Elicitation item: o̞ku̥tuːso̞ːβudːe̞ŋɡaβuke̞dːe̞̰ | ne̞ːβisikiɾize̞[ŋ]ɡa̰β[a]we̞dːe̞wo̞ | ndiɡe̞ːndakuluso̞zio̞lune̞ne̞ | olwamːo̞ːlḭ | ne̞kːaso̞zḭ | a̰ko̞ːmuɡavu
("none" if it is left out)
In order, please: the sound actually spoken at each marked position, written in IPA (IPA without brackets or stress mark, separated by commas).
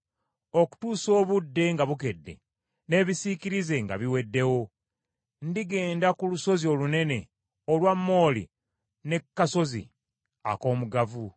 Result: ŋ, i